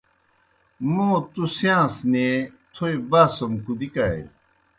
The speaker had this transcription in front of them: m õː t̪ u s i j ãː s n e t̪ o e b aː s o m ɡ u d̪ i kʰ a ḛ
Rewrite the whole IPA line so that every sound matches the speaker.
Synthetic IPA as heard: m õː t̪ u s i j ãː s n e t̪ʰ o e b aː s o m k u d̪ i k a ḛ